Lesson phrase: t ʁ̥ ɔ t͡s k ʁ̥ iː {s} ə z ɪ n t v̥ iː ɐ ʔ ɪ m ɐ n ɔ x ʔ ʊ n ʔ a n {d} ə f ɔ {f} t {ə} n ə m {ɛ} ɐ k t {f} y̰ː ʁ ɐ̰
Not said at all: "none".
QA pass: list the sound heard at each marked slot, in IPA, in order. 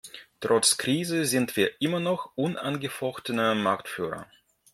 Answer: z, ɡ, x, ə, a, f

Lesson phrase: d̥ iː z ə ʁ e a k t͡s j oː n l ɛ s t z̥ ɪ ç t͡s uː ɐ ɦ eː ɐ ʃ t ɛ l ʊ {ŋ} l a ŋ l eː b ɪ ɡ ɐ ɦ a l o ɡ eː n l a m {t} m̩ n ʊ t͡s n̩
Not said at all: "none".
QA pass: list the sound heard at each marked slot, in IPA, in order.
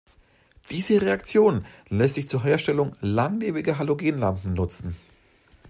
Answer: ŋ, p

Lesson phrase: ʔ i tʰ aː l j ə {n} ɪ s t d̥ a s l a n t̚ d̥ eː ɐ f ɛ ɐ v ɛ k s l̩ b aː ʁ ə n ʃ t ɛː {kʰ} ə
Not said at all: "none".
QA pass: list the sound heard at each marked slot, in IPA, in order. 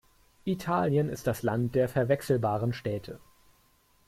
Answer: n, tʰ

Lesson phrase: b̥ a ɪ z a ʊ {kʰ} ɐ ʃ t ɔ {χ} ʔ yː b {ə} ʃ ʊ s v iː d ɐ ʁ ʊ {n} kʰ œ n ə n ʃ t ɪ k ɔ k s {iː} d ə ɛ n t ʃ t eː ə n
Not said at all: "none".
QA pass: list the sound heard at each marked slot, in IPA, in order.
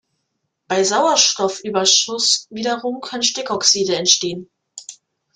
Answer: none, f, ɐ, m, iː

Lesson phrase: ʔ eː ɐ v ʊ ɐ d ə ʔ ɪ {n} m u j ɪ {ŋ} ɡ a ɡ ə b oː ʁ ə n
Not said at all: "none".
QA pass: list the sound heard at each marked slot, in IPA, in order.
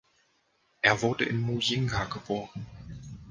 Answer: n, ŋ

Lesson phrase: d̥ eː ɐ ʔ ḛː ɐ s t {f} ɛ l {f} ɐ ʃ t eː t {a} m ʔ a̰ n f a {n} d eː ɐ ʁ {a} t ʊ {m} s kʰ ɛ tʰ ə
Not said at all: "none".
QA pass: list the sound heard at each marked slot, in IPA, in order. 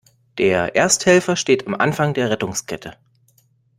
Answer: h, f, a, ŋ, ɛ, ŋ

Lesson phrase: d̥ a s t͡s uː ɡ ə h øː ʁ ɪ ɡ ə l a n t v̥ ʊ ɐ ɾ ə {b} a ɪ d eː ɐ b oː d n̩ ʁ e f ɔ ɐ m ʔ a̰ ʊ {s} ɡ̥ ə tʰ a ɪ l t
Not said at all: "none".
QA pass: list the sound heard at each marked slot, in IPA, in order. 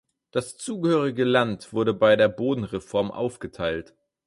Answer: b, f

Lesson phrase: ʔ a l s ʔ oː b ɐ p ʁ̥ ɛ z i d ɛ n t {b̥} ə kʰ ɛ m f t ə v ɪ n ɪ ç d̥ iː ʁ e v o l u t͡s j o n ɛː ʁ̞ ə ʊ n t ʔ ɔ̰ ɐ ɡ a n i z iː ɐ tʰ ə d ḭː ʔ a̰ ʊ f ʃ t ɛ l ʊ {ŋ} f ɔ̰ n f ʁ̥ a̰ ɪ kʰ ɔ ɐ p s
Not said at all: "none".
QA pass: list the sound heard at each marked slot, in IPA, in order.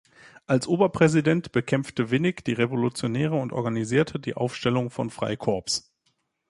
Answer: b̥, ŋ

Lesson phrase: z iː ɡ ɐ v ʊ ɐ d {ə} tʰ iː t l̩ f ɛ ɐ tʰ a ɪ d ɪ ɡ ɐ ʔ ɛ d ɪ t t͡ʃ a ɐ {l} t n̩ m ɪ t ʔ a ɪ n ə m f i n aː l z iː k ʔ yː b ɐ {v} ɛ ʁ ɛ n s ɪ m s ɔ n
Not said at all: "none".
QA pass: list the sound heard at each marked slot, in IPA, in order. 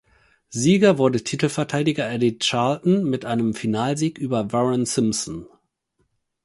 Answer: ə, l, v

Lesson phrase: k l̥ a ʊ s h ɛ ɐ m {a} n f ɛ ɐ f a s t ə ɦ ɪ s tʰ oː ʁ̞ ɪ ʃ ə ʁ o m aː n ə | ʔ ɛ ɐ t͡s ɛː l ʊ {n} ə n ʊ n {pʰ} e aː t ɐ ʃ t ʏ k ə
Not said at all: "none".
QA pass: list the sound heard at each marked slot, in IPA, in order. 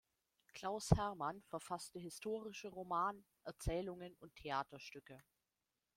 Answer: a, ŋ, tʰ

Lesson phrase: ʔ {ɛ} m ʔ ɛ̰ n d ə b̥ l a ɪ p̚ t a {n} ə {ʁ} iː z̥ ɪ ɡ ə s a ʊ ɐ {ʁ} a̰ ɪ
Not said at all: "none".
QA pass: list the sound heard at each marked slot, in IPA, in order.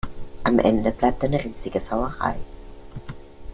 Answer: a, n, ʁ, ʁ

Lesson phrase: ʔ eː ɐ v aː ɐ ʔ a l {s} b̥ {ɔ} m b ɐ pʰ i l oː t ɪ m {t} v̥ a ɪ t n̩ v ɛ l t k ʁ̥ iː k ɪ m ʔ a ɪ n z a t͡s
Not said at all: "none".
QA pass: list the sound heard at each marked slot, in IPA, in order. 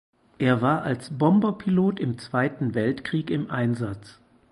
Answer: s, ɔ, t͡s

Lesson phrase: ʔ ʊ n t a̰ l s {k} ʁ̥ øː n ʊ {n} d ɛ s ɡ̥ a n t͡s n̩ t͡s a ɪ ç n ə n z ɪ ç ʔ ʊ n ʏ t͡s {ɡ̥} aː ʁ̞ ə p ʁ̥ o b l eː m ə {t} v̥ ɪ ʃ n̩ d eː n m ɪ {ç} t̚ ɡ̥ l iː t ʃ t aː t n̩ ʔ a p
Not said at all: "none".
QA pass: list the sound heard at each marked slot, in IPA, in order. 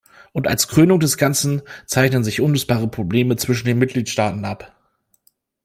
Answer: k, ŋ, b̥, t͡s, none

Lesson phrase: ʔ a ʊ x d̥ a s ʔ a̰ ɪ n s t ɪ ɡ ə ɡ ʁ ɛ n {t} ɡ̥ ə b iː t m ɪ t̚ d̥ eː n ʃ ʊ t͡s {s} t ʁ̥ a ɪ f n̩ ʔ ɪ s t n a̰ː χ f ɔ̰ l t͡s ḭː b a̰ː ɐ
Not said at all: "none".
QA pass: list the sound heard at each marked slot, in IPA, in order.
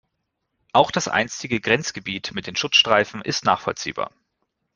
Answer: t͡s, ʃ

